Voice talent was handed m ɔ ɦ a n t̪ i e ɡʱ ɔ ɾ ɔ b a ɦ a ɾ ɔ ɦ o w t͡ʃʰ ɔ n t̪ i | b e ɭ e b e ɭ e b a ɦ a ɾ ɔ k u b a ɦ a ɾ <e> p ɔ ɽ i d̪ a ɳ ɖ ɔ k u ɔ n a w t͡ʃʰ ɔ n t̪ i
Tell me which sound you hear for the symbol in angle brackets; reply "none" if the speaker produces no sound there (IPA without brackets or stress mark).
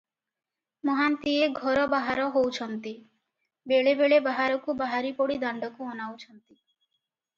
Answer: i